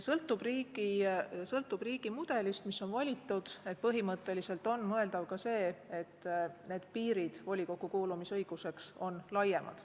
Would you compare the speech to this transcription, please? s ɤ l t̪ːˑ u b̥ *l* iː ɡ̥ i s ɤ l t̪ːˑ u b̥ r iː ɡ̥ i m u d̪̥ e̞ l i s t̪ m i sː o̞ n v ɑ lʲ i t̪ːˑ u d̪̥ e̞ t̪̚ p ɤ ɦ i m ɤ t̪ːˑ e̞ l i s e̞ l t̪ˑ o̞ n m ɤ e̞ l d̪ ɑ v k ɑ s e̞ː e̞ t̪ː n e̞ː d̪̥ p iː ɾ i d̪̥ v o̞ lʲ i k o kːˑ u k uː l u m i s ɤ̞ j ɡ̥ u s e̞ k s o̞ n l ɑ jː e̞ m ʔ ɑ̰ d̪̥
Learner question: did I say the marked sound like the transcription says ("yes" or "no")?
no